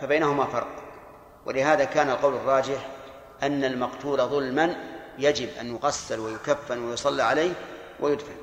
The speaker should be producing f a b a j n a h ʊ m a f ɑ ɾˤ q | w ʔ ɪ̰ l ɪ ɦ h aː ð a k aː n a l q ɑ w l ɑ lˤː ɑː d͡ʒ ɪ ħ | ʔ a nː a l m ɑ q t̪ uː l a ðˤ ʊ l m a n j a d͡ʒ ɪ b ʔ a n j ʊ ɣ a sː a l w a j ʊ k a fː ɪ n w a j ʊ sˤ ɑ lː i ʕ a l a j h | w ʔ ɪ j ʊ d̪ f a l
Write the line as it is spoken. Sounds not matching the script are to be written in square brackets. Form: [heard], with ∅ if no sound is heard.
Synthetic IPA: f a b a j n a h ʊ m a f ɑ ɾˤ q | w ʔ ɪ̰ l ɪ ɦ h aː ð a k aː n a l q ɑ w l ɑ [rˤː] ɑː d͡ʒ ɪ ħ | ʔ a nː a l m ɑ q t̪ uː l a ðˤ ʊ l m a n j a d͡ʒ ɪ b ʔ a n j ʊ ɣ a sː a l w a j ʊ k a fː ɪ n w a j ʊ sˤ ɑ lː i ʕ a l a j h | w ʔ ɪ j ʊ d̪ f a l